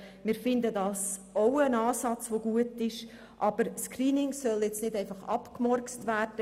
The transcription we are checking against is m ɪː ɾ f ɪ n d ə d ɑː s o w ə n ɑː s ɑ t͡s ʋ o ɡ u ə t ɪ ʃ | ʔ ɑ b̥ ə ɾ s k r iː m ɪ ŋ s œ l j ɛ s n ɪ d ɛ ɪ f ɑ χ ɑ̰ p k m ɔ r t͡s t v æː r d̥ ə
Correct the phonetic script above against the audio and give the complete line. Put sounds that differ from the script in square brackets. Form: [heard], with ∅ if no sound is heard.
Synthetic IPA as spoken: m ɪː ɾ f ɪ n d ə d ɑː s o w ə n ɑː s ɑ t͡s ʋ o ɡ u ə t ɪ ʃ | ʔ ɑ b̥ ə ɾ s k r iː [n] ɪ ŋ s œ l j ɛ [t͡s] n ɪ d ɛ ɪ f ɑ χ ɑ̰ p k m ɔ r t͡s t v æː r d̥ ə